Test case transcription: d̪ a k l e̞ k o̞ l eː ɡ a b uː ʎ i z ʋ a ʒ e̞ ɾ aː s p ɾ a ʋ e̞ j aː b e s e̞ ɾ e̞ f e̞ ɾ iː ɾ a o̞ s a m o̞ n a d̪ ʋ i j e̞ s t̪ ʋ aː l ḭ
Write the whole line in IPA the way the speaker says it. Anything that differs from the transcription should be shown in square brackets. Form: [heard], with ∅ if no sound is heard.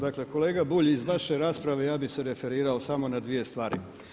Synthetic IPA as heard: d̪ a k l e̞ k o̞ l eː ɡ a b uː ʎ i z ʋ a [ʃ] e̞ ɾ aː s p ɾ a ʋ e̞ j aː b [i] s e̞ ɾ e̞ f e̞ ɾ iː ɾ a o̞ s a m o̞ n a d̪ ʋ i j e̞ s t̪ ʋ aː [ɾ] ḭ